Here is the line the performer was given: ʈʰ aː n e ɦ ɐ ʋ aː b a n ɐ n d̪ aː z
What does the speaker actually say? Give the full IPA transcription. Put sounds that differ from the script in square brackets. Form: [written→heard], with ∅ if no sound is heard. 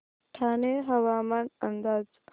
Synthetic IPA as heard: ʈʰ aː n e ɦ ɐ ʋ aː [b→m] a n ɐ n d̪ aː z